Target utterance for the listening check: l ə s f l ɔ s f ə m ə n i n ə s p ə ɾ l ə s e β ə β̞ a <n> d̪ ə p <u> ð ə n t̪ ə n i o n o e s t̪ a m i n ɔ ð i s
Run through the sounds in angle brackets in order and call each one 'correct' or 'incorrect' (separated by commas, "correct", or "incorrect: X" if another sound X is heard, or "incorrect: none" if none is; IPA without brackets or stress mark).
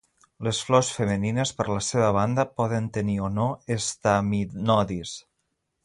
correct, incorrect: ɔ